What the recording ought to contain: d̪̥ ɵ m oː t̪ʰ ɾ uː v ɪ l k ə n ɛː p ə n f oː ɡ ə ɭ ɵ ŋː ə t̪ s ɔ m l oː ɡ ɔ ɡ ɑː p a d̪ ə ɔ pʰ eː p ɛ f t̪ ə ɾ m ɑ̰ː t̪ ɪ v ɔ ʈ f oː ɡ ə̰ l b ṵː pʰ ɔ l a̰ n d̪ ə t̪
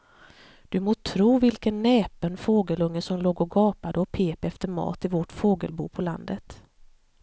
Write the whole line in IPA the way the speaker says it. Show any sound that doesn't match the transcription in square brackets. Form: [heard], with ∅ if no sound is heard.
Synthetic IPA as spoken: d̪̥ ɵ m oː t̪ʰ ɾ uː v ɪ l k ə [nː] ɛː p ə n f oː ɡ ə [l] ɵ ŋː ə [∅] s ɔ m l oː ɡ ɔ ɡ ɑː p a d̪ ə ɔ pʰ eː p ɛ f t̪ ə ɾ m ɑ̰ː t̪ ɪ v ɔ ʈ f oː ɡ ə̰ l b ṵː pʰ ɔ l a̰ n d̪ ə t̪